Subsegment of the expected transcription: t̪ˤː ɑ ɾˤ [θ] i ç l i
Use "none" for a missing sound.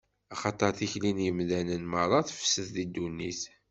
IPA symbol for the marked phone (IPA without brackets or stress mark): θ